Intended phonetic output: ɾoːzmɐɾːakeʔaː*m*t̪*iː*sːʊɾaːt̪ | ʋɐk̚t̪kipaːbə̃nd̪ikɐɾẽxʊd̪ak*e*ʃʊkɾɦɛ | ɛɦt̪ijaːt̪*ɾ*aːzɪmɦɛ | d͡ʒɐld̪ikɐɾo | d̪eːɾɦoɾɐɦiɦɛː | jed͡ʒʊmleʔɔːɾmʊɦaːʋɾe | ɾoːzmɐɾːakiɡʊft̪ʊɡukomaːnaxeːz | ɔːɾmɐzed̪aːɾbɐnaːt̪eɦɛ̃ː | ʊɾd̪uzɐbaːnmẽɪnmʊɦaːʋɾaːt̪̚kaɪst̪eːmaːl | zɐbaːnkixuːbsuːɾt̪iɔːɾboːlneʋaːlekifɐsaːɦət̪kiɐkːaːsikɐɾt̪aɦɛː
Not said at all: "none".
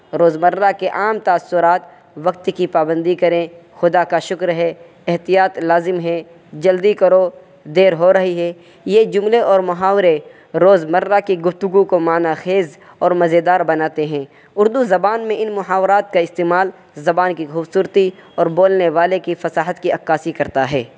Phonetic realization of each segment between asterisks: m, aː, a, l

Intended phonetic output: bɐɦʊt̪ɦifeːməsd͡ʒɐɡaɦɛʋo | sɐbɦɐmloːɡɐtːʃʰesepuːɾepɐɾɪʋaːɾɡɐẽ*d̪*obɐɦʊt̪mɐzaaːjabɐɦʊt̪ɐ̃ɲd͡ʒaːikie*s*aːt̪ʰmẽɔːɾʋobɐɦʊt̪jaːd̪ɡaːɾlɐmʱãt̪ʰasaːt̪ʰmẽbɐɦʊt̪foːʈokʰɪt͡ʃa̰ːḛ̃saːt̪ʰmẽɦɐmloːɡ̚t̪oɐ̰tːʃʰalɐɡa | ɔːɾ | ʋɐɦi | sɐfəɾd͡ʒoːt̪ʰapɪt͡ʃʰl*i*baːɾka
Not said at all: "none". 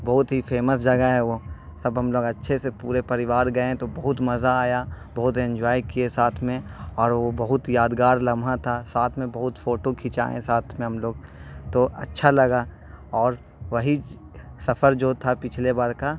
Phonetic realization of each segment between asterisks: t̪, s, e

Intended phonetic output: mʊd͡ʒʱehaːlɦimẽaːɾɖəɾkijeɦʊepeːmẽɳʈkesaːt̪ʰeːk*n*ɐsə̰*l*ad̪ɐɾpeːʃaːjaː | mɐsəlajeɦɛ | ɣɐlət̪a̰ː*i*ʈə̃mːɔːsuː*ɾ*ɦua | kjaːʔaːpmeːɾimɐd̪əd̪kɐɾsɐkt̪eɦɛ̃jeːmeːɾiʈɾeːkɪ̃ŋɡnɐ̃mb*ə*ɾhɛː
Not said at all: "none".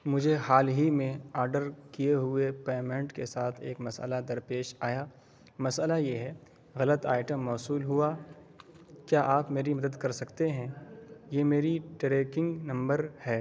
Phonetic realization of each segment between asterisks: m, l, ɪ, l, ə

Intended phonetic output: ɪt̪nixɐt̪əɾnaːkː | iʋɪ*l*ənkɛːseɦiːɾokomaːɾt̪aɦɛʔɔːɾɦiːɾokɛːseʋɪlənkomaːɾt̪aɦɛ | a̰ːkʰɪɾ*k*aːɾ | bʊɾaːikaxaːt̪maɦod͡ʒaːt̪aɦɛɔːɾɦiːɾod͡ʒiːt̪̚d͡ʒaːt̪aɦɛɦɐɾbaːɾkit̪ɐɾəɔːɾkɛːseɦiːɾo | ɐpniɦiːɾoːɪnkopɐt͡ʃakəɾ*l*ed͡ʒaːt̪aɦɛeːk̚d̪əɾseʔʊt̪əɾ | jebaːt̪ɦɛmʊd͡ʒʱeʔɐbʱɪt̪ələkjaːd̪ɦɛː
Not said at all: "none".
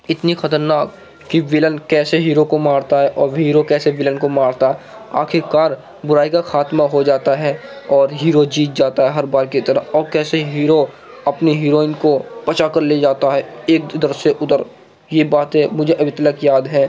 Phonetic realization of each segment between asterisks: l, k, l

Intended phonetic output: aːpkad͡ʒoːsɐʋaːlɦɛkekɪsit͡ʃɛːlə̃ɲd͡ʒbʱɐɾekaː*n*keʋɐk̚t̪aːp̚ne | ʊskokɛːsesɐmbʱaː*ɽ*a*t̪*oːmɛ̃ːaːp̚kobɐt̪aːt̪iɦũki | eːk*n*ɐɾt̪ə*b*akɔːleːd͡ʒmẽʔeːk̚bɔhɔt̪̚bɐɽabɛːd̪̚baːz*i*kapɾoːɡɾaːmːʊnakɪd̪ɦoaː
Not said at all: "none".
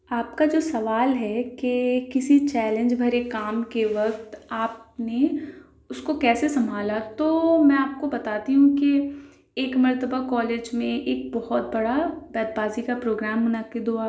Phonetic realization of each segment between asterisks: m, l, t̪, m, b, i

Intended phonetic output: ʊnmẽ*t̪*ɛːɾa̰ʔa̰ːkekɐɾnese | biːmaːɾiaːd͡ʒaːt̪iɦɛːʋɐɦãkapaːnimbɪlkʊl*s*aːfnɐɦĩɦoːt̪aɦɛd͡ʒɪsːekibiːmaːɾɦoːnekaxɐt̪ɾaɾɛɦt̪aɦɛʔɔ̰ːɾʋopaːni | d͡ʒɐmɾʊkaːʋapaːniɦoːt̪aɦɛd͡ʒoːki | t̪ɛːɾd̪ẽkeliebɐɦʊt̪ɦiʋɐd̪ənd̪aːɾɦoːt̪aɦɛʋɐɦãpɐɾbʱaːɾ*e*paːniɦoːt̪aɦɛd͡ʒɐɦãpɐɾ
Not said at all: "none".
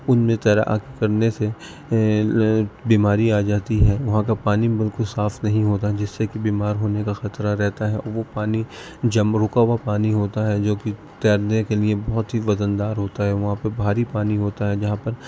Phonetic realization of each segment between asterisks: t̪, s, i

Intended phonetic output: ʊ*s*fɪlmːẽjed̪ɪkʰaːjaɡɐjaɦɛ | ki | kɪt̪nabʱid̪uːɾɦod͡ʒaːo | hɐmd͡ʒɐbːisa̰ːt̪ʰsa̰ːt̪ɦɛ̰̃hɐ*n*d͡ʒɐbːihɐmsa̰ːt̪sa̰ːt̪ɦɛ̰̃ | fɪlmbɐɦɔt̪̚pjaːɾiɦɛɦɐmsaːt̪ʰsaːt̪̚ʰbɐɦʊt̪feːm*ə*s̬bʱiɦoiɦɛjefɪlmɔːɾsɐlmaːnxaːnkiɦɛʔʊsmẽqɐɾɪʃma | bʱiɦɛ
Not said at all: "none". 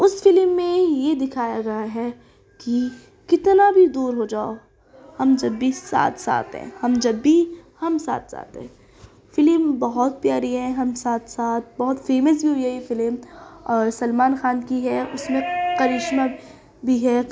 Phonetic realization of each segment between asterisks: s, m, ə

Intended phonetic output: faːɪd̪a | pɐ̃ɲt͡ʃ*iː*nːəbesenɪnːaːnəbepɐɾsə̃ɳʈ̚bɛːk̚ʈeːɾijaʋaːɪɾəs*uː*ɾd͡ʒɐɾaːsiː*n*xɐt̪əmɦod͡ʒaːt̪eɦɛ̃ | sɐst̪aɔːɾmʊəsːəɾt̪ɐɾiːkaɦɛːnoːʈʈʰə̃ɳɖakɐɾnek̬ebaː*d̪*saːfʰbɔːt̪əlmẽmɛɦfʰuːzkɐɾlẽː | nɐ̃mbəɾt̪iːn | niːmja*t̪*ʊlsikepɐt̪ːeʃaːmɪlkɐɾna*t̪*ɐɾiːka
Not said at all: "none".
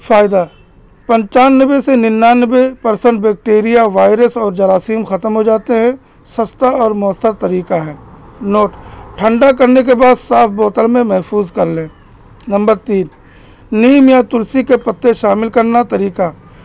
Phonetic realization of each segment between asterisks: aː, ɔː, m, d̪, t̪, t̪

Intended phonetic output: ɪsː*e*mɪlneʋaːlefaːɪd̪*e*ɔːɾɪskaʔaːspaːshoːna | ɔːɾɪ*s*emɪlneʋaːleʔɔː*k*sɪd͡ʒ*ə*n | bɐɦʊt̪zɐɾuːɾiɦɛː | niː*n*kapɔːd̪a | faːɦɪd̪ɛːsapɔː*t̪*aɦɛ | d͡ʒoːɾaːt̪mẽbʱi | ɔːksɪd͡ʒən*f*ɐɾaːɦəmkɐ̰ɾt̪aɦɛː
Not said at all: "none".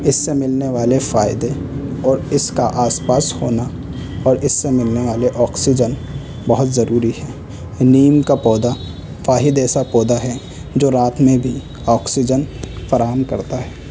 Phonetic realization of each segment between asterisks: e, e, sː, k, ə, m, d̪, f

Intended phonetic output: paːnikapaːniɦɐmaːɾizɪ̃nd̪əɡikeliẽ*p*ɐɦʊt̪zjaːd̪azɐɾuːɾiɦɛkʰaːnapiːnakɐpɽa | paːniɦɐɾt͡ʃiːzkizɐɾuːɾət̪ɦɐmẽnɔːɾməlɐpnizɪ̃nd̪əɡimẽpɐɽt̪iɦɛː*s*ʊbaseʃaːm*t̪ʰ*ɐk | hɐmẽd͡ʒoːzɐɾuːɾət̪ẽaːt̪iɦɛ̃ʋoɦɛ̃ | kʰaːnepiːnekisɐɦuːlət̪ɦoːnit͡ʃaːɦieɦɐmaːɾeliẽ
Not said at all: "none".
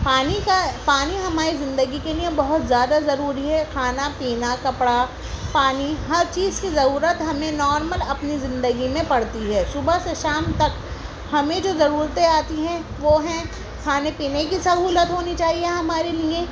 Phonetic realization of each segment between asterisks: b, ʃ, t̪

